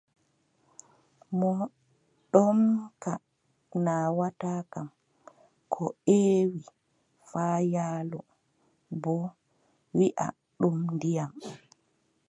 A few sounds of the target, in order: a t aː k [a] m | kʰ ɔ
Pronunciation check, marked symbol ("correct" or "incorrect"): correct